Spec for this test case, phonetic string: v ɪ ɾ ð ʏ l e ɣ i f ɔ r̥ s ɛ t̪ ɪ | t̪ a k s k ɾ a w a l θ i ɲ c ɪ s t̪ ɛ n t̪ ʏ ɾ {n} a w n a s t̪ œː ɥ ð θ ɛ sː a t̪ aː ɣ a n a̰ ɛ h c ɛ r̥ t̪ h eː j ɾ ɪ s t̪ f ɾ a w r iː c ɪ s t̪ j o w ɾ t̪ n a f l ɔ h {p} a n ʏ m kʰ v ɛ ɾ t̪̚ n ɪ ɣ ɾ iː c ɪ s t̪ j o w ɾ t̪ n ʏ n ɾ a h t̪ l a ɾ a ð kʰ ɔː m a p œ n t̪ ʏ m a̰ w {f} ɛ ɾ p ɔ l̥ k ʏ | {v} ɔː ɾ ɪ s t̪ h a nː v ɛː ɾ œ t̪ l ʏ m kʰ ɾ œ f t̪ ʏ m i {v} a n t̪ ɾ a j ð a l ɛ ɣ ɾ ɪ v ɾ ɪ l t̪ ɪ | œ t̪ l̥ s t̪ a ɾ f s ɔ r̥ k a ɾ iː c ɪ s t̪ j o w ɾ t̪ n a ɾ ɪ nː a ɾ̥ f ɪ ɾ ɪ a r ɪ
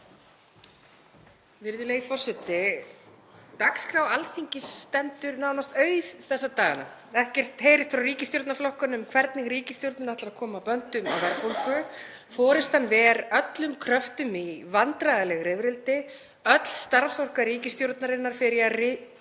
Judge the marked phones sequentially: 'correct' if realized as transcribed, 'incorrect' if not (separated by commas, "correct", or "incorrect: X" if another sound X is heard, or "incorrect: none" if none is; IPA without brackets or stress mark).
correct, incorrect: k, incorrect: v, incorrect: f, correct